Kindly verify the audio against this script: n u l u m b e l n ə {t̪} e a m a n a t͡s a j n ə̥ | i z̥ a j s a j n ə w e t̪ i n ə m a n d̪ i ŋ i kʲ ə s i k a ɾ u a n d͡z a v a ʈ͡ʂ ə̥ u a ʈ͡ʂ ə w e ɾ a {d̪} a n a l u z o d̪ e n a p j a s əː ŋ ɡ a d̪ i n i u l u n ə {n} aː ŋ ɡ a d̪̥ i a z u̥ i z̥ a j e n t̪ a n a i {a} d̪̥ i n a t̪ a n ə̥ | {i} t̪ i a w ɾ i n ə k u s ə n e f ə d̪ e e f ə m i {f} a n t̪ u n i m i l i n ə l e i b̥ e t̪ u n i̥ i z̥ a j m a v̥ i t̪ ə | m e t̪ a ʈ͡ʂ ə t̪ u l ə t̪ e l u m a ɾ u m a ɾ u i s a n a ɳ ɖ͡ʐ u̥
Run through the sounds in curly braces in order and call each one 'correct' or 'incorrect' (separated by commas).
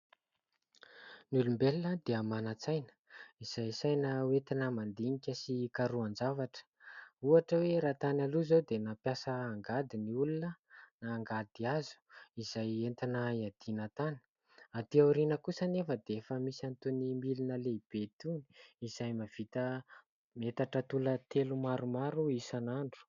incorrect, incorrect, correct, correct, incorrect, incorrect